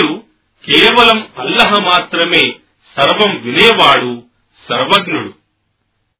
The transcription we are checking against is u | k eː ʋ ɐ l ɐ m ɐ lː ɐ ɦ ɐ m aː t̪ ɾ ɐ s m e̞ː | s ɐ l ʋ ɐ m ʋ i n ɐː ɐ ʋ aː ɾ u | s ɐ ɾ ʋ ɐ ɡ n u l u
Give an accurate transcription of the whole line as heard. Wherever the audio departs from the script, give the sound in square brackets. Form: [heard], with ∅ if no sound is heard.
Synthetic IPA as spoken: u | k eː ʋ ɐ l ɐ m ɐ lː ɐ ɦ ɐ m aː t̪ ɾ ɐ [∅] m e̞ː | s ɐ [ɾ] ʋ ɐ m ʋ i n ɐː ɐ ʋ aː [ɽ] u | s ɐ ɾ ʋ ɐ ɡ n u [ɽ] u